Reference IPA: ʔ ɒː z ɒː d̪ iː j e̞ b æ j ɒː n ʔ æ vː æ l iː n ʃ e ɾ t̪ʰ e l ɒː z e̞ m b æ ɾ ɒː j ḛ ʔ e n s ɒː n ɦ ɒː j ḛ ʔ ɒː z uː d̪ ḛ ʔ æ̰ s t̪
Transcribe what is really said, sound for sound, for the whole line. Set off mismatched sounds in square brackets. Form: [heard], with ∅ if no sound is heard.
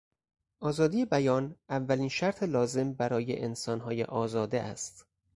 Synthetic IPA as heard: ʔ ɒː z ɒː d̪ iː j e̞ b æ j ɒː n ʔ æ vː æ l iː n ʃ [æ] ɾ t̪ʰ e l ɒː z e̞ m b æ ɾ ɒː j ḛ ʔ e n s ɒː n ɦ ɒː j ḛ ʔ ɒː z [ɒː] d̪ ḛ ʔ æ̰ s t̪